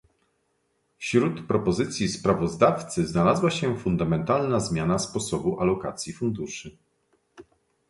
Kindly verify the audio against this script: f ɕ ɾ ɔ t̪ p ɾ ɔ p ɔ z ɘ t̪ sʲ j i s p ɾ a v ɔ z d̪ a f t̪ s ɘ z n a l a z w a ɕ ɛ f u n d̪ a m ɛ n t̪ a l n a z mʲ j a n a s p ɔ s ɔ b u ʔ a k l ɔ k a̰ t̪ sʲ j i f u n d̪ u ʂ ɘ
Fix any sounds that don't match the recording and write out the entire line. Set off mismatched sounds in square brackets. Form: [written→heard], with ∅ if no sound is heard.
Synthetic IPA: f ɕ ɾ [ɔ→u] t̪ p ɾ ɔ p ɔ z ɘ t̪ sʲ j i s p ɾ a v ɔ z d̪ a f t̪ s ɘ z n a l a z w a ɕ ɛ f u n d̪ a m ɛ n t̪ a l n a z mʲ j a n a s p ɔ s ɔ b u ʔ a [k→∅] l ɔ k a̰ t̪ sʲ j i f u n d̪ u ʂ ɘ